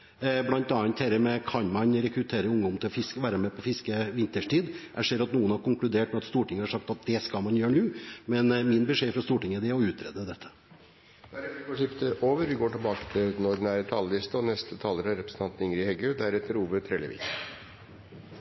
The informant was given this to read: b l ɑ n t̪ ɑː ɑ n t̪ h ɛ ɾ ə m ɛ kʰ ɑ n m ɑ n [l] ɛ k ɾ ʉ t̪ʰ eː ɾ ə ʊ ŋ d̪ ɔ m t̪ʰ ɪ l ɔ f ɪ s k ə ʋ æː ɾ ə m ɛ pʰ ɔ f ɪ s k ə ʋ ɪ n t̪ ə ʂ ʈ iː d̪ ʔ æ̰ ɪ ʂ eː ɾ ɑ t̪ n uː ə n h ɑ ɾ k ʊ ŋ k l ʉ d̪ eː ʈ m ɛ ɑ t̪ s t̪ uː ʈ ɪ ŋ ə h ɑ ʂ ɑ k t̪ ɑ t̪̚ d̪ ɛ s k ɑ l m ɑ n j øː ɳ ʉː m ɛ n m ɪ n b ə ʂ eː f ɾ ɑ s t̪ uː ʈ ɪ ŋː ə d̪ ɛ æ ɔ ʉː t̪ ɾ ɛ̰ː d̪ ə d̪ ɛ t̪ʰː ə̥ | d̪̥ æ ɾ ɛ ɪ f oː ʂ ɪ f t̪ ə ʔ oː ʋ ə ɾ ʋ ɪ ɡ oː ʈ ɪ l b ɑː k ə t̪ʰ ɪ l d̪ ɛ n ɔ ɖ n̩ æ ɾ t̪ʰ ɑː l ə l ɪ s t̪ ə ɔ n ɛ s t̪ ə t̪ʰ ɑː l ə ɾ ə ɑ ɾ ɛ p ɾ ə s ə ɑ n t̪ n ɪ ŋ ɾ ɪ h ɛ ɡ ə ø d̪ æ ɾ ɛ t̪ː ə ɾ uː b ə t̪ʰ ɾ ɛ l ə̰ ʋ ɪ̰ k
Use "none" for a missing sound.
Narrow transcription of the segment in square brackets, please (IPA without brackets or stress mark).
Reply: ɾ